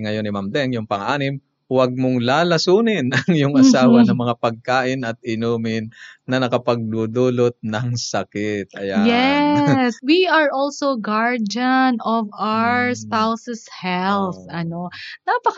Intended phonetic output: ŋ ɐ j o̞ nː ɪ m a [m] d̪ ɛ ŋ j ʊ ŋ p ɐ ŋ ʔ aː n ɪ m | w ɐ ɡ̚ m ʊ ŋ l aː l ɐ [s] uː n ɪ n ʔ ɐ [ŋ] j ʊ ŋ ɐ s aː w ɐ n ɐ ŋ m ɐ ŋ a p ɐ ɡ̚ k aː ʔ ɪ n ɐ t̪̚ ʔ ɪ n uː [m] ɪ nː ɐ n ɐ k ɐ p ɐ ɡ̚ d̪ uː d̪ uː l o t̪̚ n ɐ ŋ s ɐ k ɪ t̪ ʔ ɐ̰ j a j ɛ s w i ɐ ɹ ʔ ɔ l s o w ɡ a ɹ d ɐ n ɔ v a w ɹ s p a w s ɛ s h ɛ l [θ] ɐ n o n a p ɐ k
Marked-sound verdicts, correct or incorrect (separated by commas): correct, correct, correct, correct, correct